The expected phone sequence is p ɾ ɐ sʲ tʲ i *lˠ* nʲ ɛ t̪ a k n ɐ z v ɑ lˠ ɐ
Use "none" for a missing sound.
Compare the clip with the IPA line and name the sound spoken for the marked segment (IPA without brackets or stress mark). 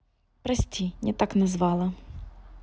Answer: none